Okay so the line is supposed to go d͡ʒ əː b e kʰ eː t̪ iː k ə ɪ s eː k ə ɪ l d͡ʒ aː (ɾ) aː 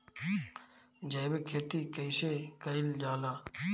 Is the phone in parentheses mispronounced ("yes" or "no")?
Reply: yes